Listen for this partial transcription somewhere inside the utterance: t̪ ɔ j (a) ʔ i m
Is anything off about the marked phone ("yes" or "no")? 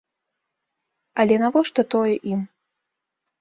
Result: yes